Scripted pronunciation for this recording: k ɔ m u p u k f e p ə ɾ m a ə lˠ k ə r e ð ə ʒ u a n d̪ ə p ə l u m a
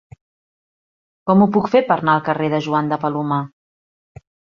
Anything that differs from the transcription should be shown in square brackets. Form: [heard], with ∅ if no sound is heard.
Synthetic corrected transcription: k ɔ m u p u k f e p ə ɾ [n] a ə lˠ k ə r e ð ə ʒ u a n d̪ ə p ə l u m a